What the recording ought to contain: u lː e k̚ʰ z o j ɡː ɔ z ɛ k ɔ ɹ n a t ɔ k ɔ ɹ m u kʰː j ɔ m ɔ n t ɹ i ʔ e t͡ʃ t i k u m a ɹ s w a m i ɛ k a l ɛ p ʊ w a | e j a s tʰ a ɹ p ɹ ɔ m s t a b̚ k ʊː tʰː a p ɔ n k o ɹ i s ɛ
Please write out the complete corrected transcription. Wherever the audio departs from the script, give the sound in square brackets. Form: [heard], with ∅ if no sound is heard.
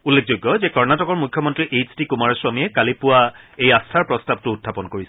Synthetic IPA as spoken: u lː e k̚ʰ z o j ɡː ɔ z ɛ k ɔ ɹ n a t ɔ k ɔ ɹ m u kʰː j ɔ m ɔ n t ɹ i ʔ e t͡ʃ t i k u m a ɹ s w a m i ɛ k a l [i] p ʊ w a | e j a s tʰ a ɹ p ɹ ɔ [∅] s t a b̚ [t] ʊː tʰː a p ɔ n k o ɹ i s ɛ